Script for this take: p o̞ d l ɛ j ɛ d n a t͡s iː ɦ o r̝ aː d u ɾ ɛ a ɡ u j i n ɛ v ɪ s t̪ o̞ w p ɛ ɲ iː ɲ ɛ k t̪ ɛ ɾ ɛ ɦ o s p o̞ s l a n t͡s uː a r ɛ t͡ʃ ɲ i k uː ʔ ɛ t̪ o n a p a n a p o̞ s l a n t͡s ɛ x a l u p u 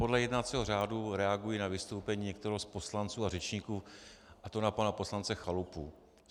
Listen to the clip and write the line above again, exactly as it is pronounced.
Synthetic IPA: p o̞ d l ɛ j ɛ d n a t͡s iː ɦ o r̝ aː d u ɾ ɛ a ɡ u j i n a v ɪ s t̪ o̞ w p ɛ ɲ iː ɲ ɛ k t̪ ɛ ɾ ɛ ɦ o s p o̞ s l a n t͡s uː a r ɛ t͡ʃ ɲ i k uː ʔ a t̪ o n a p a n a p o̞ s l a n t͡s ɛ x a l u p u